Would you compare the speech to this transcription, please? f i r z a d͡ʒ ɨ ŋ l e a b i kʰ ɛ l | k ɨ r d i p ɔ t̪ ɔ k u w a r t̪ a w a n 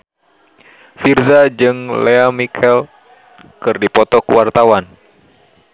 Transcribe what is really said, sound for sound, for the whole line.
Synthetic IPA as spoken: f i r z a d͡ʒ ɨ ŋ l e a m i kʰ ɛ l | k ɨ r d i p ɔ t̪ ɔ k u w a r t̪ a w a n